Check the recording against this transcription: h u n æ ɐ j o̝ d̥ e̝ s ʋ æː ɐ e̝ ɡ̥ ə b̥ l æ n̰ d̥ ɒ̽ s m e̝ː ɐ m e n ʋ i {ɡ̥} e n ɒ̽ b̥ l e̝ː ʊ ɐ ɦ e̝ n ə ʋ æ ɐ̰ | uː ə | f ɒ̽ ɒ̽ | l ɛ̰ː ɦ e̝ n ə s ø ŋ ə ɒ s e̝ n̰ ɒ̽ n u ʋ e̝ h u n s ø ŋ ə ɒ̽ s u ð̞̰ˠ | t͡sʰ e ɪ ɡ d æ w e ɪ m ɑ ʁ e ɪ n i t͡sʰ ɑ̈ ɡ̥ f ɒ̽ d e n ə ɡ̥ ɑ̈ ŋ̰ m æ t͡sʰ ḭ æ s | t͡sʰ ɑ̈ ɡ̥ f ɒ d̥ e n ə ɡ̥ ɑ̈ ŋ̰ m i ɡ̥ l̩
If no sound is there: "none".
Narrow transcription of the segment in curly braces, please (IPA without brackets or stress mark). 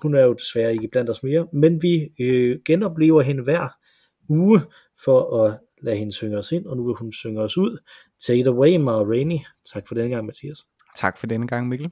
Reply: ɡ̥